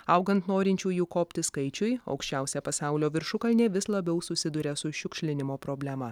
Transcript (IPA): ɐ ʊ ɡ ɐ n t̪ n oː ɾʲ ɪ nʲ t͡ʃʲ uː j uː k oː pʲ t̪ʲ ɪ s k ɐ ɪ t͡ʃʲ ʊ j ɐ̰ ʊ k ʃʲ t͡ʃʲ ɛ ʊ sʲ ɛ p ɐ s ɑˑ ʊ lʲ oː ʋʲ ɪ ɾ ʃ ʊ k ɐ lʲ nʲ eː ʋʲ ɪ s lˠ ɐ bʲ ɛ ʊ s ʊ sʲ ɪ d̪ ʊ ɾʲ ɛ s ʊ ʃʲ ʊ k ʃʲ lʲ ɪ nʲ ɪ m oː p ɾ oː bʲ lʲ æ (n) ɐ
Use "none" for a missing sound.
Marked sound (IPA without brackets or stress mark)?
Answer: m